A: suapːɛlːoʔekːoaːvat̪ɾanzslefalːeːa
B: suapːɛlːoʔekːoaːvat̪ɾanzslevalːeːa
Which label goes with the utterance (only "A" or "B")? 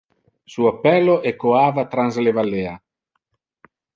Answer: B